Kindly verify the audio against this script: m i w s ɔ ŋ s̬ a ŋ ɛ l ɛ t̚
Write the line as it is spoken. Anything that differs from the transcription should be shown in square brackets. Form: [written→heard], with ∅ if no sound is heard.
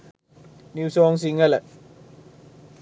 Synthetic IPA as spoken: [m→n] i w s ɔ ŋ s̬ [a→i] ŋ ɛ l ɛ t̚